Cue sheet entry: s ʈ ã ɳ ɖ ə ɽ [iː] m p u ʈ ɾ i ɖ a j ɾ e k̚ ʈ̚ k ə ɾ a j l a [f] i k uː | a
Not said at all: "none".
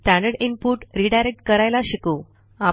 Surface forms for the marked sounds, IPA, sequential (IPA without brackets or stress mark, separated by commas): i, ɕ